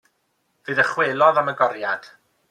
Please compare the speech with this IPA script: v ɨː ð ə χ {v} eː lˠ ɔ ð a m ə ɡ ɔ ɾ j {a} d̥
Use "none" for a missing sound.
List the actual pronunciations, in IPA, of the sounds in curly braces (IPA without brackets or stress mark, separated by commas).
w, a